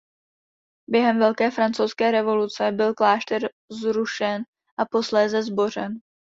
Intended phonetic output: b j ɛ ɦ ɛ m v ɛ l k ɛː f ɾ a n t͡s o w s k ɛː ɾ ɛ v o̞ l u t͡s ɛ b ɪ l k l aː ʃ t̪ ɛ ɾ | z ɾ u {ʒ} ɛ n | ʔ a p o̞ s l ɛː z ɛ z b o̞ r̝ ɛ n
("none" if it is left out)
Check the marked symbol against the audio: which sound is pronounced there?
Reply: ʃ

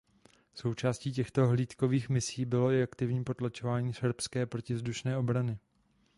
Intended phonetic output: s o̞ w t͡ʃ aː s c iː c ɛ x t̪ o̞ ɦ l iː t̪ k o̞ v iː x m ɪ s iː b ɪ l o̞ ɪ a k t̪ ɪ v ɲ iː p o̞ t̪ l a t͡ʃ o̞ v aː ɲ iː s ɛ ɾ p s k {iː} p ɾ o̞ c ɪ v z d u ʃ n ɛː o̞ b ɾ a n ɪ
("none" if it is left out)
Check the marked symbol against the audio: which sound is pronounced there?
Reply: ɛː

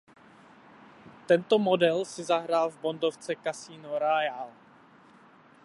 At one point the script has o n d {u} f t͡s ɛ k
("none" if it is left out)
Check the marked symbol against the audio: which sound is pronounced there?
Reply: o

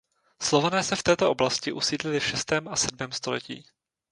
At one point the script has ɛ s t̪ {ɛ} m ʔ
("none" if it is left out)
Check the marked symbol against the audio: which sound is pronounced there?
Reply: ɛː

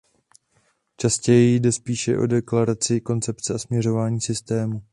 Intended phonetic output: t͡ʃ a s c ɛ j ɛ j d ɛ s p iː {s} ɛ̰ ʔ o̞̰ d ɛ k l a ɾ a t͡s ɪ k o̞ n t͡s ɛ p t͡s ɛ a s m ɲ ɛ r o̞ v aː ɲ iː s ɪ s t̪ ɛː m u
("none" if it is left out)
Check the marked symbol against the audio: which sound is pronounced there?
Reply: ʃ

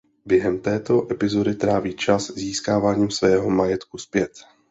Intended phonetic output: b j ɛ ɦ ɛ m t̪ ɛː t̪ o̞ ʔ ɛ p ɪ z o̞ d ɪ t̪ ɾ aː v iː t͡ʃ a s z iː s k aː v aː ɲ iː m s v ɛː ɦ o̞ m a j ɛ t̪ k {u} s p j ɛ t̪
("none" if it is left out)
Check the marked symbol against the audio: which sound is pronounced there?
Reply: u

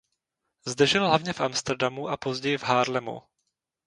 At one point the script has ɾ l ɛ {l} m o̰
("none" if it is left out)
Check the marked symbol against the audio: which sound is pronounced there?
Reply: none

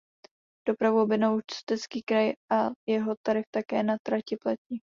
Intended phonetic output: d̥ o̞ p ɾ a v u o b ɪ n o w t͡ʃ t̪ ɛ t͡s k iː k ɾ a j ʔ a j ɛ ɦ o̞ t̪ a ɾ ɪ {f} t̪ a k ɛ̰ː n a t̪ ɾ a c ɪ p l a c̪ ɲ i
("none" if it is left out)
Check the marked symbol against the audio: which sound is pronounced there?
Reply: f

